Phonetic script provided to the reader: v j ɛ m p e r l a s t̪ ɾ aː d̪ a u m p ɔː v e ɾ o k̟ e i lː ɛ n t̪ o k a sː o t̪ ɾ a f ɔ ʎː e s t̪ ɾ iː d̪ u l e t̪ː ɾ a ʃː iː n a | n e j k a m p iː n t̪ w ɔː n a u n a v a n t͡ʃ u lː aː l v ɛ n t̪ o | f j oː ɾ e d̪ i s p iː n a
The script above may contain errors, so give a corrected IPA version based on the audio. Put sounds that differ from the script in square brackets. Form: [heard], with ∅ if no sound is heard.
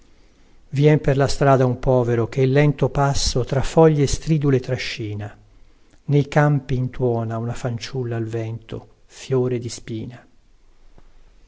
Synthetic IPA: v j ɛ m p e r l a s t̪ ɾ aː d̪ a u m p ɔː v e ɾ o k̟ e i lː ɛ n t̪ o [p] a sː o t̪ ɾ a f ɔ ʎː e s t̪ ɾ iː d̪ u l e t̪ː ɾ a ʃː iː n a | n e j k a m p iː n t̪ w ɔː n a u n a [f] a n t͡ʃ u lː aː l v ɛ n t̪ o | f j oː ɾ e d̪ i s p iː n a